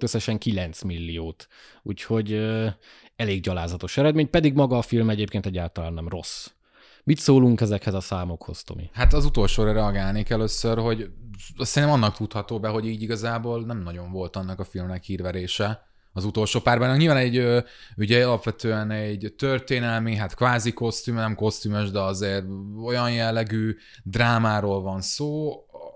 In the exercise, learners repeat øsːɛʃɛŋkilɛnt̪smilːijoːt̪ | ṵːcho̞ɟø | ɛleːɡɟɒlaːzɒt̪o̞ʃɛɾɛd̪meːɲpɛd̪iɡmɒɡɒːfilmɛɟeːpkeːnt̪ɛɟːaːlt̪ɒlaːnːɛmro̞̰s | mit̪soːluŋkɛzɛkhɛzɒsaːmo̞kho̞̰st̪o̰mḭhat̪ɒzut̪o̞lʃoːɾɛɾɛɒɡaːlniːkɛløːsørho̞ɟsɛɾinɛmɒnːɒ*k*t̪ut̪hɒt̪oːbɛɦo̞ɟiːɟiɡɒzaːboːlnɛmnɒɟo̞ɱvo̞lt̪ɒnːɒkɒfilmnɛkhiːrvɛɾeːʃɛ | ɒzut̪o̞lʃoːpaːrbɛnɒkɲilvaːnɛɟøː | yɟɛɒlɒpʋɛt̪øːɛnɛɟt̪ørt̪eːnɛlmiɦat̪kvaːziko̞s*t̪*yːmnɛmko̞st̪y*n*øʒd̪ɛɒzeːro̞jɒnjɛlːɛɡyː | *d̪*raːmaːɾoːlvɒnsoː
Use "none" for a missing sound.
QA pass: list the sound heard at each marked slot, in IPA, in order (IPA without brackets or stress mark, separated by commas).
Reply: k, t̪, m, d̪